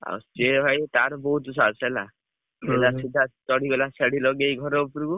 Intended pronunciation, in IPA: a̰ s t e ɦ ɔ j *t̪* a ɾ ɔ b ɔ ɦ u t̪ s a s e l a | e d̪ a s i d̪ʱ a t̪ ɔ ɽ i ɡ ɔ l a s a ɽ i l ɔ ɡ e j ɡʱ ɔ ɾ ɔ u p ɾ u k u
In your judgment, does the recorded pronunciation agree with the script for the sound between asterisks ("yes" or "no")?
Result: yes